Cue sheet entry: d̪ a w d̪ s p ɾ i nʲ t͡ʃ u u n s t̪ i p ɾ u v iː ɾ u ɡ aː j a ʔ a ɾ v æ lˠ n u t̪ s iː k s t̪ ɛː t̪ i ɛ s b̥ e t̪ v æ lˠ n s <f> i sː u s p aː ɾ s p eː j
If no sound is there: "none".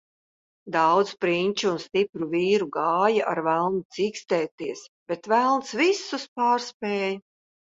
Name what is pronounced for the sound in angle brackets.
v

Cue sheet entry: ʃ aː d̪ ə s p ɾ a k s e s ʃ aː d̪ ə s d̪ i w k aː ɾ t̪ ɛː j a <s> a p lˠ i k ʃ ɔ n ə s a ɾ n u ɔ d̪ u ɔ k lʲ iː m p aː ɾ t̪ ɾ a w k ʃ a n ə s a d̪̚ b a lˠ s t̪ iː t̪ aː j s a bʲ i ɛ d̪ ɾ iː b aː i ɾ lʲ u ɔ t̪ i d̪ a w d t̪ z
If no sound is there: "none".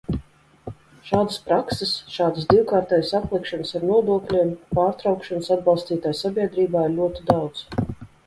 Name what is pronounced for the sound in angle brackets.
s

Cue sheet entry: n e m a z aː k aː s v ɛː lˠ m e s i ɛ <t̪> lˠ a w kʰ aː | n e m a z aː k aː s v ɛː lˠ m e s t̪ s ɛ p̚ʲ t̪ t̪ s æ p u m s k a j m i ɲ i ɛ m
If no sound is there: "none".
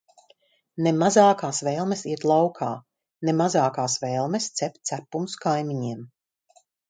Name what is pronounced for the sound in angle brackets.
t̪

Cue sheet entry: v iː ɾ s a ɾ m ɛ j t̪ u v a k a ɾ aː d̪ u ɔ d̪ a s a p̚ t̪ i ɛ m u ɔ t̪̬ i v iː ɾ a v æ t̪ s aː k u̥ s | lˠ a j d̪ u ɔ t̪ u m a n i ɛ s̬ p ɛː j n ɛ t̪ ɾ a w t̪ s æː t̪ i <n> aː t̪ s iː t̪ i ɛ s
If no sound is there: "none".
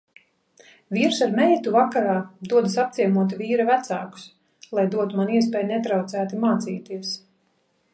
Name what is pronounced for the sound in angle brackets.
m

